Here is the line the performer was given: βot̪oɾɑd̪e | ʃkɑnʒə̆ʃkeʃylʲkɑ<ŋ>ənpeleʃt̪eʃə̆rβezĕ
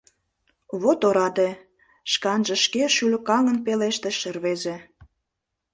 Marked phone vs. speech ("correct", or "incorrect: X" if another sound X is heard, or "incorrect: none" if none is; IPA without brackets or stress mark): correct